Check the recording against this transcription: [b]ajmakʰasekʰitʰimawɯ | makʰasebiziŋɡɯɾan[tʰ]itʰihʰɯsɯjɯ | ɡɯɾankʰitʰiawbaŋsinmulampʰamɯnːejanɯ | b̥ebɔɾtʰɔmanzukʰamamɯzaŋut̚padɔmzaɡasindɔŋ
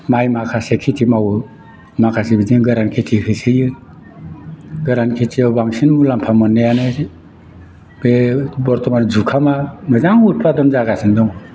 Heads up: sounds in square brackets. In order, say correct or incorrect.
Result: incorrect: m, incorrect: kʰ

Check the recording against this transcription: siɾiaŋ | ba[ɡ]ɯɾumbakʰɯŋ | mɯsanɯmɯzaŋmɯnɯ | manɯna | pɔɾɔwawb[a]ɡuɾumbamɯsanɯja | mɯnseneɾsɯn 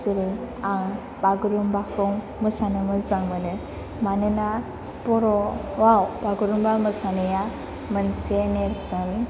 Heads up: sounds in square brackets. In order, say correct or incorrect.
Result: correct, correct

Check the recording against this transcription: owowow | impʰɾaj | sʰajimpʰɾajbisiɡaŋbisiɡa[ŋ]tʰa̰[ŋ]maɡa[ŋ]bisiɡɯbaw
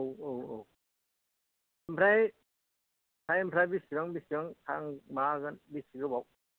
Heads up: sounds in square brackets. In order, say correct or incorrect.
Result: correct, correct, incorrect: n

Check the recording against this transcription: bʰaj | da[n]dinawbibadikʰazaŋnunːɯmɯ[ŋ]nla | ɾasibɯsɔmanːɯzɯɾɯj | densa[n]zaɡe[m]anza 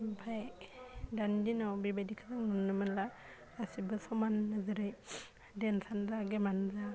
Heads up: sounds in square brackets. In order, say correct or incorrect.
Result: correct, incorrect: none, correct, correct

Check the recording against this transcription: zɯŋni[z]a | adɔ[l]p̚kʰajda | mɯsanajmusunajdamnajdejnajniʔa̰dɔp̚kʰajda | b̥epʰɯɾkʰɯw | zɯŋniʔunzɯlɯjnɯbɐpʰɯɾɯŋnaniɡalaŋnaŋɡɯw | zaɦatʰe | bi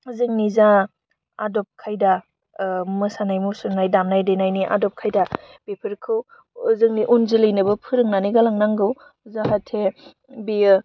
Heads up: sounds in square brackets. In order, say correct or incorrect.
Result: correct, incorrect: none

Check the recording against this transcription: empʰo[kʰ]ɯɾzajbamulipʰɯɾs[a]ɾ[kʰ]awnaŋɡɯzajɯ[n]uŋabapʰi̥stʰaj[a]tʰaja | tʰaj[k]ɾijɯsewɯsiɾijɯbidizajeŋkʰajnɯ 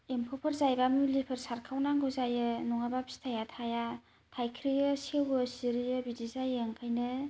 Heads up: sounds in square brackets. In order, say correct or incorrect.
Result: incorrect: pʰ, correct, correct, correct, correct, incorrect: kʰ

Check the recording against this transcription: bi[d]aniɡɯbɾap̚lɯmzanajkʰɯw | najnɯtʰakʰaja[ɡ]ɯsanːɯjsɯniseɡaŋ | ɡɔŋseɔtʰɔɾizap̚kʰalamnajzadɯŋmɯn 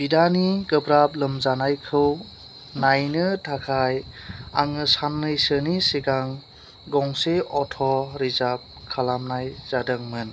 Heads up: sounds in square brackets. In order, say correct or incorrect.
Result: correct, incorrect: ŋ

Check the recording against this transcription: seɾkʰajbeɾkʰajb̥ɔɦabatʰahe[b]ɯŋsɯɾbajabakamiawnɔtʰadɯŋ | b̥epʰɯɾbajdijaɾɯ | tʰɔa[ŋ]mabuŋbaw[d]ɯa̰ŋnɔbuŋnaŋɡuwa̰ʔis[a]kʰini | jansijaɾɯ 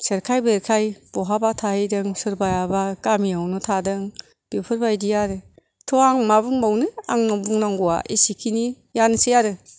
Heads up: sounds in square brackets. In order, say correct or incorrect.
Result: incorrect: d, correct, incorrect: n, incorrect: i

